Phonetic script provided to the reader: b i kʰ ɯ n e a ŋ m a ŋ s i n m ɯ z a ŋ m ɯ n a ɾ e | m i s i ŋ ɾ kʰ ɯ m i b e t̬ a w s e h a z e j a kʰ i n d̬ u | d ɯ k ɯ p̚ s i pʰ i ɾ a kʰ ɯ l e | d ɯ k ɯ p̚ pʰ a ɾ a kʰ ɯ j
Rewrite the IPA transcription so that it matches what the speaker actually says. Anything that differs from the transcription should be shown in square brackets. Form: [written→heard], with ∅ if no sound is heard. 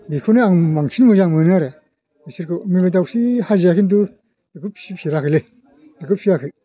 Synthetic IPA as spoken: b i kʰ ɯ n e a ŋ m a ŋ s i n m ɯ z a ŋ m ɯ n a ɾ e | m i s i [ŋ→∅] ɾ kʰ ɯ m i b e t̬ a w s [e→i] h a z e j a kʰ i n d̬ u | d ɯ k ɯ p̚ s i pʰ i ɾ a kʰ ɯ l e | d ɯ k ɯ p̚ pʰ [a→i] ɾ a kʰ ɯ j